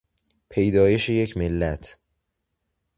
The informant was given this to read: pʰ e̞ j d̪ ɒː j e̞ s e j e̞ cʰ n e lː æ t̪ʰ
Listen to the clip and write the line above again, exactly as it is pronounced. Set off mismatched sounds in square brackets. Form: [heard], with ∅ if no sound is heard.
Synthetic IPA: pʰ e̞ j d̪ ɒː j e̞ [ʃ] e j e̞ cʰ [m] e lː æ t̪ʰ